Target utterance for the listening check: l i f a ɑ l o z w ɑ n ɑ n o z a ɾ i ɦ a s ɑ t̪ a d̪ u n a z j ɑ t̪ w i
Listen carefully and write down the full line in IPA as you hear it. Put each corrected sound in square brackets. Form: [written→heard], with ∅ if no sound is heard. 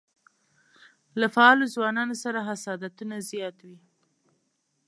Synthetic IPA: l [i→a] f a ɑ l o z w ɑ n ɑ n o [z→s] a ɾ [i→a] ɦ a s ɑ [t̪→d̪] a [d̪→t̪] u n a z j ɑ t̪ w i